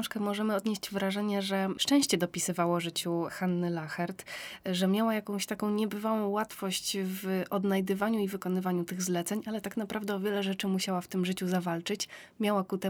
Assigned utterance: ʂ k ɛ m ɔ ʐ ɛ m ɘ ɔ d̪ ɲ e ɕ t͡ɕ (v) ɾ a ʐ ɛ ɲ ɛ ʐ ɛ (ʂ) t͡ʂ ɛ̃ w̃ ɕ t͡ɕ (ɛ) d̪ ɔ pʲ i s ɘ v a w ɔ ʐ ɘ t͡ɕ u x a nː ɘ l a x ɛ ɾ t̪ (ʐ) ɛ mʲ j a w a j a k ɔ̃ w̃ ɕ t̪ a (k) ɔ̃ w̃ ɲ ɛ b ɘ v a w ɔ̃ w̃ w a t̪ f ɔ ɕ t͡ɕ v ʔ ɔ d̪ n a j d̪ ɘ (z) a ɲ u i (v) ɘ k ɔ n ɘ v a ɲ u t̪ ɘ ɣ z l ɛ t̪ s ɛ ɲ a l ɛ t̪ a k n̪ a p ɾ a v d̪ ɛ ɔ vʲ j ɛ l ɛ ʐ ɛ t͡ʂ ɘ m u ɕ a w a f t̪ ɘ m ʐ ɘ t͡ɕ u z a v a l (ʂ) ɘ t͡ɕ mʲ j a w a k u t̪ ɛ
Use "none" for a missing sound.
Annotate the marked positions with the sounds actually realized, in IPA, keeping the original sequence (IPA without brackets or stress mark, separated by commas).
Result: v, ʂ, ɛ, ʐ, k, v, v, t͡ʂ